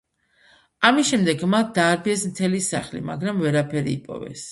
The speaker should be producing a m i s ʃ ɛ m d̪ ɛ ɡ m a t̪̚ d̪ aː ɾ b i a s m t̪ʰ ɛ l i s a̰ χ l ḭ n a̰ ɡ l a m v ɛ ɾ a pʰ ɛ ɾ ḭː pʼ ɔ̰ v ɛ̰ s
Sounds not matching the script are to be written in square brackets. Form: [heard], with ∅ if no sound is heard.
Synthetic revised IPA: a m i s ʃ ɛ m d̪ ɛ ɡ m a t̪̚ d̪ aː ɾ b i [ɛ] s m t̪ʰ ɛ l i s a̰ χ l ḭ [m] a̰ ɡ [ɾ] a m v ɛ ɾ a pʰ ɛ ɾ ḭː pʼ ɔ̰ v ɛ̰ s